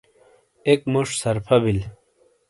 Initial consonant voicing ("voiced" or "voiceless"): voiceless